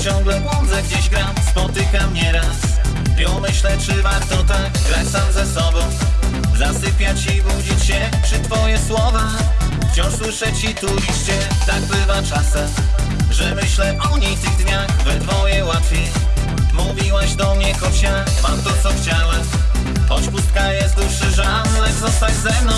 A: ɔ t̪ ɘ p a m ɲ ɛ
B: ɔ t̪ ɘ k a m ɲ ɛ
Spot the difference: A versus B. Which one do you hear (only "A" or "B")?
B